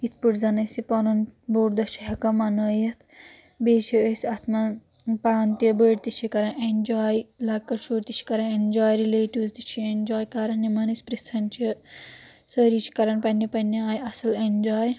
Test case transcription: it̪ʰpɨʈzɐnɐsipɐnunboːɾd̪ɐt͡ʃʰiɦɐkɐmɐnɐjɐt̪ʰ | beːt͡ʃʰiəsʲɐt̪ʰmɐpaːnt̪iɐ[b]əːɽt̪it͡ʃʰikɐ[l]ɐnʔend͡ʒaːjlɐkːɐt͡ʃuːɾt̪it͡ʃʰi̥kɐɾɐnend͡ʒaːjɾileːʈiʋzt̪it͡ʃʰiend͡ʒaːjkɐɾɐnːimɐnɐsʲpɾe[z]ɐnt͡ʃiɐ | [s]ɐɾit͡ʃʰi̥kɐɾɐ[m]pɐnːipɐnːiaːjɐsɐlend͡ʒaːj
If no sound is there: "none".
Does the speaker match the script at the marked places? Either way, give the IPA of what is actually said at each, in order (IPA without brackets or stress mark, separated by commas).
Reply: b, ɾ, s, s, n